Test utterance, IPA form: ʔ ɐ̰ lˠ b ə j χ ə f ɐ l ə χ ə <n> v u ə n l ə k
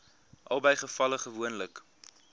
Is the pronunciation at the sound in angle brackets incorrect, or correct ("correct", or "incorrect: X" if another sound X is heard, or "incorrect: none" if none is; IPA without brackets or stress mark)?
incorrect: none